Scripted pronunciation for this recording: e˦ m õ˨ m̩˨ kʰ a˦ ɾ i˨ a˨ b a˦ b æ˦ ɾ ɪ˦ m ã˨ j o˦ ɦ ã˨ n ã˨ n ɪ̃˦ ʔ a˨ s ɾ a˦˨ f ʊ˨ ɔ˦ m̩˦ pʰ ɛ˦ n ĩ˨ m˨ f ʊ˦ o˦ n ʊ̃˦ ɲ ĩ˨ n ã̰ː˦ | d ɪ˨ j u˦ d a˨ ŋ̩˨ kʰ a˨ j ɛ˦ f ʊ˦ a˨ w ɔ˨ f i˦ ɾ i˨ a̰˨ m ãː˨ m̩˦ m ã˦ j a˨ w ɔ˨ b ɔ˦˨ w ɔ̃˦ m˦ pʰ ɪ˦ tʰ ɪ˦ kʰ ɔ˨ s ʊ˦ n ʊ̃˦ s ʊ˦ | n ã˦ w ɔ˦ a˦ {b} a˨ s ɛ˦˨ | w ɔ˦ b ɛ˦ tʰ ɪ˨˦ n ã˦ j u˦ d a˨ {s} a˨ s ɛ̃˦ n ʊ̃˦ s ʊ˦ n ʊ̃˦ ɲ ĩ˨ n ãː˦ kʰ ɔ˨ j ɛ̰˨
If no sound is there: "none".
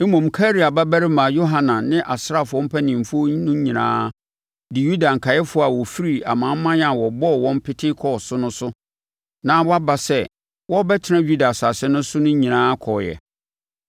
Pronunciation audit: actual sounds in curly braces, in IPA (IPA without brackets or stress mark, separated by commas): b, s